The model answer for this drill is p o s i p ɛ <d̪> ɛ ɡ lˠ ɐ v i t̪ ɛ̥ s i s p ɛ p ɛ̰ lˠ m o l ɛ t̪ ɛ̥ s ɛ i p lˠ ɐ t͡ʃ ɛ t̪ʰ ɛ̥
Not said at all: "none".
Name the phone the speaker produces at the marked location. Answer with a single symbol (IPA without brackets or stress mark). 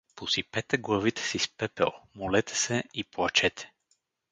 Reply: t̪